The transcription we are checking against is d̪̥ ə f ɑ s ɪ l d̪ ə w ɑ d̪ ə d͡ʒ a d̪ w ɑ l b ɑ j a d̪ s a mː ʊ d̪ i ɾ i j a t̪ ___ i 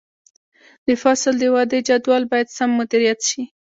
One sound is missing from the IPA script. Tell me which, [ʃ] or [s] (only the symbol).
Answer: ʃ